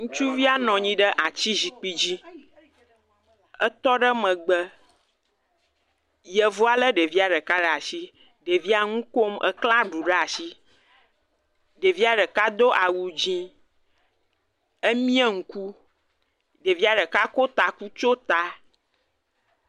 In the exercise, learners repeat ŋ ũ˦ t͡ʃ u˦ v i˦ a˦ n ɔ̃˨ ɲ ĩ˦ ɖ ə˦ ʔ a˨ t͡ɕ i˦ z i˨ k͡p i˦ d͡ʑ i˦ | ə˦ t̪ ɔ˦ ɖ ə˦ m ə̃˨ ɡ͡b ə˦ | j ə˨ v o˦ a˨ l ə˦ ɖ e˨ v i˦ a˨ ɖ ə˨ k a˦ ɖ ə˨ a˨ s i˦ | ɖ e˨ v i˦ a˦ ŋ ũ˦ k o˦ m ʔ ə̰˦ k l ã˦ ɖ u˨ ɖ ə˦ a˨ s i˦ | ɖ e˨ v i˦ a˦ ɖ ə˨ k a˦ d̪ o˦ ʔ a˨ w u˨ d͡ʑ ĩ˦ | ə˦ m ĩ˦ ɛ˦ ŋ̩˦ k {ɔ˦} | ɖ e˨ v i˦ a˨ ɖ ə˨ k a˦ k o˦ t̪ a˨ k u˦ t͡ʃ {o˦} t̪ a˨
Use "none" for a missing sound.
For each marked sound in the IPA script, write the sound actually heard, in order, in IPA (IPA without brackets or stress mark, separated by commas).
u˦, o˦